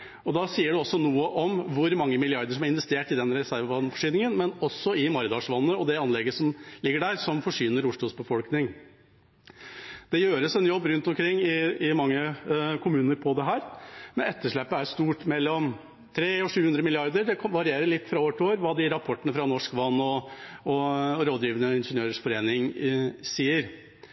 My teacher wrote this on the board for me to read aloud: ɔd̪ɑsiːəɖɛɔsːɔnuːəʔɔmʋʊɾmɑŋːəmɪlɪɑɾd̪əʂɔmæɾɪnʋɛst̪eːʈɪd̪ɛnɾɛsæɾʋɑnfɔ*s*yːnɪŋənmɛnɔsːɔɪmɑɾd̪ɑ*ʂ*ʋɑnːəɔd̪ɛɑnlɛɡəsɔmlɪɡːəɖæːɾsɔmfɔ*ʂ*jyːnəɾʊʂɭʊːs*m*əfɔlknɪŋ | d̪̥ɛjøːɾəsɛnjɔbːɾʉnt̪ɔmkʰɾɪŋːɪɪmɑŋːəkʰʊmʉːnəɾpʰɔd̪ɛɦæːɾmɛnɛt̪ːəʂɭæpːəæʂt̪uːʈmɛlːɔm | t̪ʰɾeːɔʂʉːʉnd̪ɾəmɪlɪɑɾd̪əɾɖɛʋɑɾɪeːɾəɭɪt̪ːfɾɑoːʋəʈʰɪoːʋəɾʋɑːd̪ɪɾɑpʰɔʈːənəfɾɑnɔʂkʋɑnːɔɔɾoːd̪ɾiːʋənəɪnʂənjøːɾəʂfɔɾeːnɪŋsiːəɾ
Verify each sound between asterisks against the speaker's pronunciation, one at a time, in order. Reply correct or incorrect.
incorrect: ʂ, correct, correct, incorrect: b

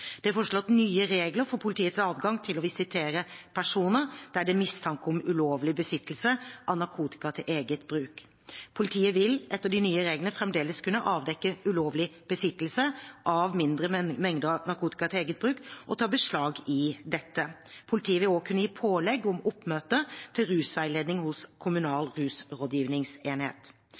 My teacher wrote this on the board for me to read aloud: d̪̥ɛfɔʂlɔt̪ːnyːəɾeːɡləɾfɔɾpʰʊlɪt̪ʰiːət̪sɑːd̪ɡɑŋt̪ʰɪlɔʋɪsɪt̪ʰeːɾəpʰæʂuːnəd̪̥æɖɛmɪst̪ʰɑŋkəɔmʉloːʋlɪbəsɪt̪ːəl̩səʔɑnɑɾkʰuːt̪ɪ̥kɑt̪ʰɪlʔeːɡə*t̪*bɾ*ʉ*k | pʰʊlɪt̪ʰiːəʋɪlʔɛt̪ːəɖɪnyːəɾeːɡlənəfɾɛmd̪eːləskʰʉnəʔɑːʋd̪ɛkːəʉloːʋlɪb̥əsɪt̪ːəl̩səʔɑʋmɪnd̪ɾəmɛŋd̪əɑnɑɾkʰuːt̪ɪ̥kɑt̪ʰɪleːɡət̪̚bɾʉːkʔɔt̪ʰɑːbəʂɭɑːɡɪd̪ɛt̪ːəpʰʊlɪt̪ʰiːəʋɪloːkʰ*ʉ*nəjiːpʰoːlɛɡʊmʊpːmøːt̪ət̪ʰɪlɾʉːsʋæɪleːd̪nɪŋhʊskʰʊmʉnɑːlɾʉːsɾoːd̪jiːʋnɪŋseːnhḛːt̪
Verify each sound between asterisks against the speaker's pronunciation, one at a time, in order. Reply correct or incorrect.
correct, incorrect: ʉː, correct

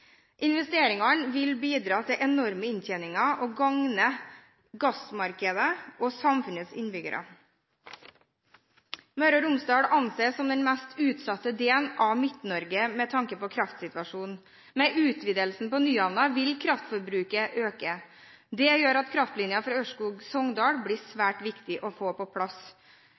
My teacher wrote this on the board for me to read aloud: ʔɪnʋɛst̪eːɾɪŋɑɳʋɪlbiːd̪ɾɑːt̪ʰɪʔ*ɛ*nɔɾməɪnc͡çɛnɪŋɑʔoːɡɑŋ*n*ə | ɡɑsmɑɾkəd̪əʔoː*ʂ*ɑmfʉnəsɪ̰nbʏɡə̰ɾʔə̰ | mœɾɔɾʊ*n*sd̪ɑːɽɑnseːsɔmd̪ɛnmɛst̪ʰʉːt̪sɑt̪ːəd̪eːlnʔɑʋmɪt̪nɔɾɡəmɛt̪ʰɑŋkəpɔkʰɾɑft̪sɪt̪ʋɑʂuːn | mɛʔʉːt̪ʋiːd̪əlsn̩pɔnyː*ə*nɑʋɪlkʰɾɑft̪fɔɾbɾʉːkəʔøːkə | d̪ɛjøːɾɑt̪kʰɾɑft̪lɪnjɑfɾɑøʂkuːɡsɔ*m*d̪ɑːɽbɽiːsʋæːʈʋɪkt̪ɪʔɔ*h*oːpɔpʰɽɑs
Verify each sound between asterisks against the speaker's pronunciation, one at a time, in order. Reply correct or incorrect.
correct, correct, incorrect: s, incorrect: m, incorrect: ɑ, incorrect: ŋ, incorrect: f

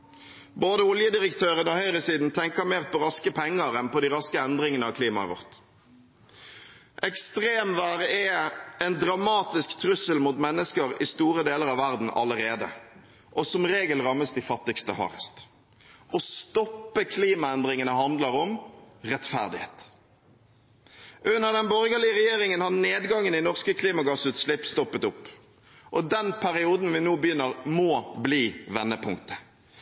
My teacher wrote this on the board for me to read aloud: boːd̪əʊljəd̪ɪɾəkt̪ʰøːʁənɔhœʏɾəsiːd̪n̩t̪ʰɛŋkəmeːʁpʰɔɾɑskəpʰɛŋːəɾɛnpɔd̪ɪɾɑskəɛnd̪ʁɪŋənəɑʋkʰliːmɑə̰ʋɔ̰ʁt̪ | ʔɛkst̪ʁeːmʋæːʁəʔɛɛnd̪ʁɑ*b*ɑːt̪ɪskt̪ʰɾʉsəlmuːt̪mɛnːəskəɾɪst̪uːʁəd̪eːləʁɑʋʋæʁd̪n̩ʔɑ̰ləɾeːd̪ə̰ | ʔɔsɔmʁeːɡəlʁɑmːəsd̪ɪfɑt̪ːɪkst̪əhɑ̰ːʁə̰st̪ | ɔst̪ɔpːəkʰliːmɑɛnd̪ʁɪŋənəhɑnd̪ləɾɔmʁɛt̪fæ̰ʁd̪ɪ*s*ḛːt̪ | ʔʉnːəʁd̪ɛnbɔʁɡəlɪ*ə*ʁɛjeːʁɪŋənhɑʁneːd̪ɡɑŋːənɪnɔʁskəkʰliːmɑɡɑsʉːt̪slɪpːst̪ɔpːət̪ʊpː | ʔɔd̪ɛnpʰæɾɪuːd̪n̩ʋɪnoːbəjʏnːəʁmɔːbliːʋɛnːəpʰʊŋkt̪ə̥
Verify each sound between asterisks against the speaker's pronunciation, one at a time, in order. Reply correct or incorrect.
incorrect: m, incorrect: h, correct

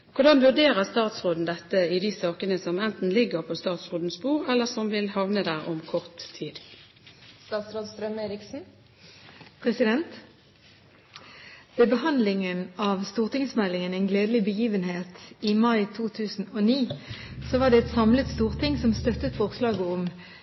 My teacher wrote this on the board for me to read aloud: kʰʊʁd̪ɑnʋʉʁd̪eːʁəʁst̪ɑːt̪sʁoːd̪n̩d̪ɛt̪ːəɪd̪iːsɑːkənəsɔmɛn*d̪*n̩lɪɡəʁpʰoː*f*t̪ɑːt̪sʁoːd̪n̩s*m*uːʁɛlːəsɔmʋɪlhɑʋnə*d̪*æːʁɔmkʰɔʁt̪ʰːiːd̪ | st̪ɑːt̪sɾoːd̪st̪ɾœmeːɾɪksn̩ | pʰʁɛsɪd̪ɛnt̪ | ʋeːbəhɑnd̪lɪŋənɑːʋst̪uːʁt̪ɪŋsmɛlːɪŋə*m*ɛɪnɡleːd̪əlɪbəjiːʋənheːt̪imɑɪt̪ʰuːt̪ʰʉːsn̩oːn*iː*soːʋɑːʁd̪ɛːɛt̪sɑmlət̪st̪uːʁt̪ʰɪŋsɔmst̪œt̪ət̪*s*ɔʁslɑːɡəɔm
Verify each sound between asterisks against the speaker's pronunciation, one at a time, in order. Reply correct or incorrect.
incorrect: t̪, incorrect: s, incorrect: b, correct, incorrect: n, correct, incorrect: f

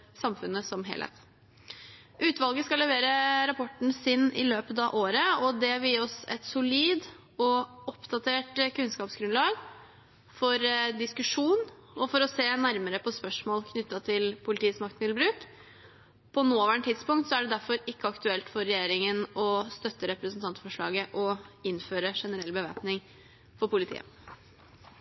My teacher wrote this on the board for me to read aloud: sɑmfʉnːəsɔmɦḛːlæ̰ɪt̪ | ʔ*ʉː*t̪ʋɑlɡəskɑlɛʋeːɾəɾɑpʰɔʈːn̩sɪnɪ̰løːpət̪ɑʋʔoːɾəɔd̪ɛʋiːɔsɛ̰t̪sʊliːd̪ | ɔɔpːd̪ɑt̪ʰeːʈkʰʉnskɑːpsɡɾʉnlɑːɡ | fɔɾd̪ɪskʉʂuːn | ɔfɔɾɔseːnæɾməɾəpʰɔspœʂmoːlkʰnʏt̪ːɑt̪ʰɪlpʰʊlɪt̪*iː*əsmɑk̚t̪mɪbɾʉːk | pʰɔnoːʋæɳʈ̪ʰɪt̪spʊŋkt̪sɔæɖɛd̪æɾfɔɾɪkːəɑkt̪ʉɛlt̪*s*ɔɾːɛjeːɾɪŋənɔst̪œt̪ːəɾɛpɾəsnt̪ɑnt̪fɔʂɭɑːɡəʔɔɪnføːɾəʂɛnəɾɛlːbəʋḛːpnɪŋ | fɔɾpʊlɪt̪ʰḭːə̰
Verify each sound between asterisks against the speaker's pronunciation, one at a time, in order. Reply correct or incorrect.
correct, correct, incorrect: f

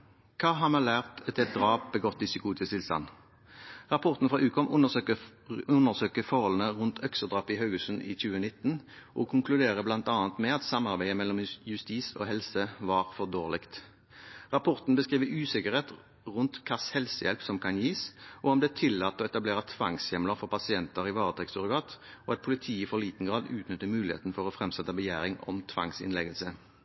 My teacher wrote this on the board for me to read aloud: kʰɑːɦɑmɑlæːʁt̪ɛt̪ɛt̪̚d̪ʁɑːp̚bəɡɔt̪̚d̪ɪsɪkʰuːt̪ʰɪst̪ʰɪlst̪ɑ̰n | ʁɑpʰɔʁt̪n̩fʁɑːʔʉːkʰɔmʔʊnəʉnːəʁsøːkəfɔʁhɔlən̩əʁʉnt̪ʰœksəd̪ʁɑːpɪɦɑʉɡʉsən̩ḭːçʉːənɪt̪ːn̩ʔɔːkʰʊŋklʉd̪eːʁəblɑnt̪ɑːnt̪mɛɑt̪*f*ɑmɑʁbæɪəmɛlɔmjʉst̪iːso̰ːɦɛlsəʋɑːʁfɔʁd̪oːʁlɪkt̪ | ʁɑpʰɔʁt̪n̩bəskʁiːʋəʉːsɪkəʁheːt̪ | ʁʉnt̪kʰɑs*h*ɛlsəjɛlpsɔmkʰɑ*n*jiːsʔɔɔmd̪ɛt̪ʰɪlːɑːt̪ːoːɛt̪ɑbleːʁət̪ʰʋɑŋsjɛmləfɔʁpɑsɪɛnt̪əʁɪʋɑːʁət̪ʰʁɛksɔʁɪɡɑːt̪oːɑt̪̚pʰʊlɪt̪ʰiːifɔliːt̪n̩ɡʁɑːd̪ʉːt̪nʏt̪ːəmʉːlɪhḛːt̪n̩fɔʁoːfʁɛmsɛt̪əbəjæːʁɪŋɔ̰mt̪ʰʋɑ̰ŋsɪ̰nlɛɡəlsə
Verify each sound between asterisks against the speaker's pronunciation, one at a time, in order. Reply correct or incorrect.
incorrect: s, correct, correct

